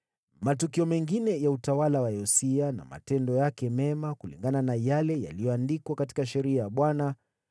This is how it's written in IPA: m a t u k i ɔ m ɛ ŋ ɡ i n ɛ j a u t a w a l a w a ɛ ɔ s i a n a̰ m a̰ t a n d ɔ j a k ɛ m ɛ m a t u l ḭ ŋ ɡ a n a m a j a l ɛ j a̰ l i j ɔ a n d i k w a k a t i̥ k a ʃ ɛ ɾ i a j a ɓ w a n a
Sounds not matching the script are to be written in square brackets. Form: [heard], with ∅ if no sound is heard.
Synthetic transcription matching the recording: m a t u k i ɔ m ɛ ŋ ɡ i n ɛ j a u t a w a l a w a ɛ ɔ s i a n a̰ m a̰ t [ɛ] n d ɔ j a k ɛ m ɛ m a [k] u l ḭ ŋ ɡ a n a [n] a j a l ɛ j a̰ l i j ɔ a n d i k w a k a t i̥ k a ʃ ɛ ɾ i a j a ɓ w a n a